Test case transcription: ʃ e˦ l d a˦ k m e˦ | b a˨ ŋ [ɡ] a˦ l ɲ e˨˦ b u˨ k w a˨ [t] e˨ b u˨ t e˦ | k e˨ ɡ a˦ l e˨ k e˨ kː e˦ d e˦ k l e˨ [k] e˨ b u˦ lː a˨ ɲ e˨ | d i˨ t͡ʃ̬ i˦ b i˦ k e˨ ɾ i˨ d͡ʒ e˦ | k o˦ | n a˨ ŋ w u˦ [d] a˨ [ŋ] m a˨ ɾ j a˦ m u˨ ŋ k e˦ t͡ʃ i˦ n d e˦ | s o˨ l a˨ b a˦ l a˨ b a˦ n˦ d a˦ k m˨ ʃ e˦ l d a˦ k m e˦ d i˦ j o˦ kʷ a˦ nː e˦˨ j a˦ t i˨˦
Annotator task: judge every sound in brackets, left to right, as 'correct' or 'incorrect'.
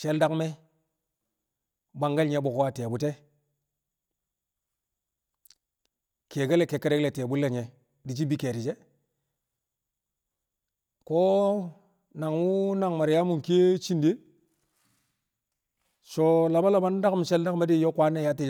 correct, correct, incorrect, incorrect, correct

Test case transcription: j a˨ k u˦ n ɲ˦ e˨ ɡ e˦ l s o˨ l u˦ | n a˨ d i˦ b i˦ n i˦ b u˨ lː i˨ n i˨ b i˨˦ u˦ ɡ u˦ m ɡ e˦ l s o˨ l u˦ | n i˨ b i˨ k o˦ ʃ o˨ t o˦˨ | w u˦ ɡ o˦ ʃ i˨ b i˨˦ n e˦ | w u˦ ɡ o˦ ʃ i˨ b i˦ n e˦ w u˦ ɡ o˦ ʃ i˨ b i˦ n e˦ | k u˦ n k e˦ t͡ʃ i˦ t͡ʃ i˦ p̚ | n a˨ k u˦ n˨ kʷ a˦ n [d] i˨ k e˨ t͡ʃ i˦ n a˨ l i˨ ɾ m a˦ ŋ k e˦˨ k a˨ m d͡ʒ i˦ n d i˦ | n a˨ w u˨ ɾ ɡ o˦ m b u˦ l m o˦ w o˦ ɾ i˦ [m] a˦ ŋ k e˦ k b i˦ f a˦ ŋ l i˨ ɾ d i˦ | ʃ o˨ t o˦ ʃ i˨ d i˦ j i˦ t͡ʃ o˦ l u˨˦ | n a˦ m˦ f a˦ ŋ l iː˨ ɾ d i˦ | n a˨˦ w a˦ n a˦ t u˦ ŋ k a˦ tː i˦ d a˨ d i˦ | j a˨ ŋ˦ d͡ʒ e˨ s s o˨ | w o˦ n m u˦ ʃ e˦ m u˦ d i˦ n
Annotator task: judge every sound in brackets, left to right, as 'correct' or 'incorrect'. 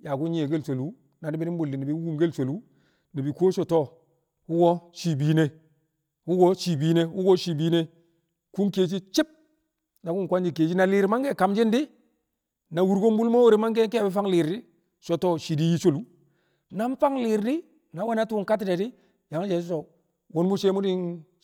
incorrect, correct

